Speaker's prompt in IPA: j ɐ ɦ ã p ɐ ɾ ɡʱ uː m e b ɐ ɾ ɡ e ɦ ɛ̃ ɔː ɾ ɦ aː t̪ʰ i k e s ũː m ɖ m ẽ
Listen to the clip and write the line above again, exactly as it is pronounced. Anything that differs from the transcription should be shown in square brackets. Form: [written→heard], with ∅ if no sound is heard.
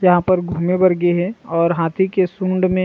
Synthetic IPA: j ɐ ɦ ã p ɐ ɾ ɡʱ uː m e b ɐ ɾ ɡ e ɦ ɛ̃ ɔː ɾ ɦ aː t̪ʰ i k e s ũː [m→ɳ] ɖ m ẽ